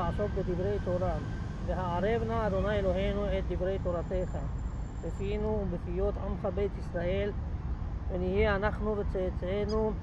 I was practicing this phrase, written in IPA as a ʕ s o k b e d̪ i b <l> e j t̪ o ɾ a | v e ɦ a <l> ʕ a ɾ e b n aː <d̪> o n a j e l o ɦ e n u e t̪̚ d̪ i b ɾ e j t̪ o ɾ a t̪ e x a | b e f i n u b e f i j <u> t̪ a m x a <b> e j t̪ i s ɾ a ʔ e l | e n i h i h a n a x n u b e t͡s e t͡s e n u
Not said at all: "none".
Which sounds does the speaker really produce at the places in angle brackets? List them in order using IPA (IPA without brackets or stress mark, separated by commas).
ɾ, none, d̪, o, b